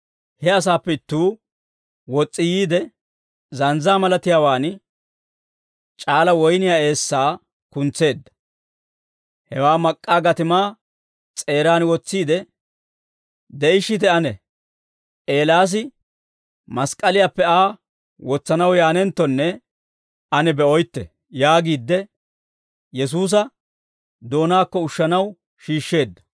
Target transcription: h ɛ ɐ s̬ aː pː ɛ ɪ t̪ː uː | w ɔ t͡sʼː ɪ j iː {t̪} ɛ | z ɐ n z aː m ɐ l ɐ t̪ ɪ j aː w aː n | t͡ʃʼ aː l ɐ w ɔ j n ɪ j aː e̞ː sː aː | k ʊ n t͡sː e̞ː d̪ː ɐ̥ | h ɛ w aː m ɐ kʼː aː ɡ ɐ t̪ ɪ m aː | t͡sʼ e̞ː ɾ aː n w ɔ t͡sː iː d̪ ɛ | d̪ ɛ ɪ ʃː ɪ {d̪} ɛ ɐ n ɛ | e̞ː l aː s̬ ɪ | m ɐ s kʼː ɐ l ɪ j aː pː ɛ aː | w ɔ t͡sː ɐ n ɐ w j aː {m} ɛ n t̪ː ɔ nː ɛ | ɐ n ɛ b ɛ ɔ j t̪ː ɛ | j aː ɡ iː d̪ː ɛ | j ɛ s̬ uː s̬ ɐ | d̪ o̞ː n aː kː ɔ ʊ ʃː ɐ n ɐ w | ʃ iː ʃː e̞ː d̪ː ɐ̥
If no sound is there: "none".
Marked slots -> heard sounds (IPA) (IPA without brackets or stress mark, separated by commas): d̪, t̪, n